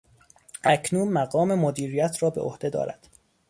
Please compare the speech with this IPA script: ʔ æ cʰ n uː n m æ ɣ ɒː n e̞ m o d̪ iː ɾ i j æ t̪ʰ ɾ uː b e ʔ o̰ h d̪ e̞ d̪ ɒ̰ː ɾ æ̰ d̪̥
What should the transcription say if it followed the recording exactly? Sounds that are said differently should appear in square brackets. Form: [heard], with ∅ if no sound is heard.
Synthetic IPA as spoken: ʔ æ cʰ n uː n m æ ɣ ɒː [m] e̞ m o d̪ iː ɾ i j æ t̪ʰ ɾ [ɒː] b e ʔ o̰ h d̪ e̞ d̪ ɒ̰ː ɾ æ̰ d̪̥